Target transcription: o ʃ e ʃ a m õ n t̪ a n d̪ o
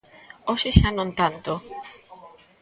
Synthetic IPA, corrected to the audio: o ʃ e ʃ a n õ n t̪ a n t̪ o